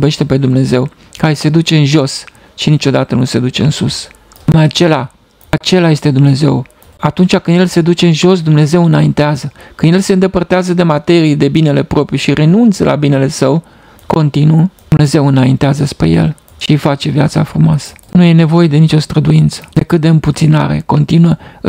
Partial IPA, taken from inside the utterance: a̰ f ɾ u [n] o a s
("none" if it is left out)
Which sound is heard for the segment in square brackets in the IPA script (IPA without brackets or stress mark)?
m